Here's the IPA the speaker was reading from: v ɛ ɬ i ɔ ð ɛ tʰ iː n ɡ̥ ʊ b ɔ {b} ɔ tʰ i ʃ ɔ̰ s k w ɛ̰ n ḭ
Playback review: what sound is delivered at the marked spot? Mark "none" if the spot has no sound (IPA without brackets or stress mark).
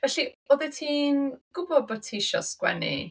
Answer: b